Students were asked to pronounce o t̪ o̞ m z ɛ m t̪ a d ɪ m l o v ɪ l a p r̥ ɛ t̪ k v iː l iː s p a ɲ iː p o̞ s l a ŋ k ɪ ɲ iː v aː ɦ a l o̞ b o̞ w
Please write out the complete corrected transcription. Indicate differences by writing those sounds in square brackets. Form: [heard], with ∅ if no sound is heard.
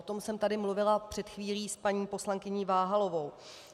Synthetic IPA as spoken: o t̪ o̞ m [s] ɛ m t̪ a d ɪ m l [u] v ɪ l a p r̥ ɛ t̪ [x] v iː l iː s p a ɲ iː p o̞ s l a ŋ k ɪ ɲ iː v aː ɦ a l o̞ [v] o̞ w